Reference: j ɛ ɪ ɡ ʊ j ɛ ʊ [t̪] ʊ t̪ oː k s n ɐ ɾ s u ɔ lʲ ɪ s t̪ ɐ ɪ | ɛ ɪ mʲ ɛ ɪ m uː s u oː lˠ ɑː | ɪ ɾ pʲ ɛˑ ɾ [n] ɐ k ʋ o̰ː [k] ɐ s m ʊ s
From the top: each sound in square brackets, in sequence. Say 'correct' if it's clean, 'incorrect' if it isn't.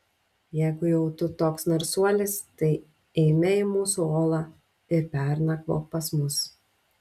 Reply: correct, correct, incorrect

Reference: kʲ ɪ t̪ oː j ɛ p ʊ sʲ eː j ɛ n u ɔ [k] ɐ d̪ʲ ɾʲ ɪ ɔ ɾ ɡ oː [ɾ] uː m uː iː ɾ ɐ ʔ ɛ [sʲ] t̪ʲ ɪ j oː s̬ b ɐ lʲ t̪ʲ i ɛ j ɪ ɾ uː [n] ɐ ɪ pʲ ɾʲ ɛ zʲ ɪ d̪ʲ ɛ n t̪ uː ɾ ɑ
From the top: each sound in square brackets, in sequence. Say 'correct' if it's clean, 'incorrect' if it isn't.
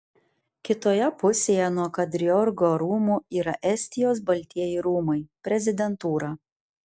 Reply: correct, correct, correct, incorrect

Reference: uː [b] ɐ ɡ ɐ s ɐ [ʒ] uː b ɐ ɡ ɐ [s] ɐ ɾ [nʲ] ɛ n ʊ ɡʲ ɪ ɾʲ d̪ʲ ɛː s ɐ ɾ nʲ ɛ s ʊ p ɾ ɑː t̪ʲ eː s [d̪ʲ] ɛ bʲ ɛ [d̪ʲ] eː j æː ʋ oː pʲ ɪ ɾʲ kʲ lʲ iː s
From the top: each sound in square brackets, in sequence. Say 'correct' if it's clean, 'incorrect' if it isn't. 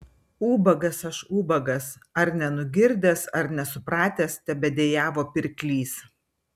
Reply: correct, incorrect, correct, correct, incorrect, correct

